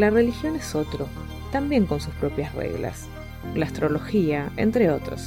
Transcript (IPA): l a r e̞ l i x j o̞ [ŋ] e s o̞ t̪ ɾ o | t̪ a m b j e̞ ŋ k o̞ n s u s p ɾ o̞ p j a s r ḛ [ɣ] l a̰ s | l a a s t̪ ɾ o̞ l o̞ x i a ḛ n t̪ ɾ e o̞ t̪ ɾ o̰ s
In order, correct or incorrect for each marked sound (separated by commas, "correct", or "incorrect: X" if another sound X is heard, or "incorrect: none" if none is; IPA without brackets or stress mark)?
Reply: incorrect: n, correct